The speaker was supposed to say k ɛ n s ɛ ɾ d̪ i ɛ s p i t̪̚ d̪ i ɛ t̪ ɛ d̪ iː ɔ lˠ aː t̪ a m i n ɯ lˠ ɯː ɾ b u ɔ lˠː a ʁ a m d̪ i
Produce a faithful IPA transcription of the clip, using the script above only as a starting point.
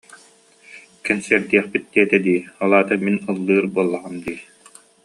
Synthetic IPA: k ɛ n s ɛ ɾ d̪ i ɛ χ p i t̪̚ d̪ i ɛ t̪ ɛ d̪ iː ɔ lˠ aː t̪ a m i n ɯ lˠː ɯː ɾ b u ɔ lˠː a ʁ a m d̪ iː